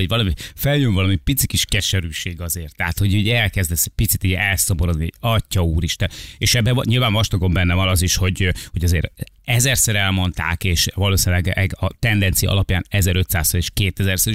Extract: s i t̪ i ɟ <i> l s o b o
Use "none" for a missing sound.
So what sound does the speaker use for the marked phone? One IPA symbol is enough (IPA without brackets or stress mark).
ɛ